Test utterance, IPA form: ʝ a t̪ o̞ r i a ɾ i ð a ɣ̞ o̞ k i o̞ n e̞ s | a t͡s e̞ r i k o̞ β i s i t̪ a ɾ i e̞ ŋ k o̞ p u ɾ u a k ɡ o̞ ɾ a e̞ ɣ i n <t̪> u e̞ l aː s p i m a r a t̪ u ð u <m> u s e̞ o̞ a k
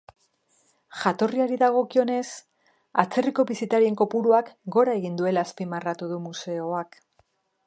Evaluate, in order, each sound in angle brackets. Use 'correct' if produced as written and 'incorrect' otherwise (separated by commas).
incorrect, correct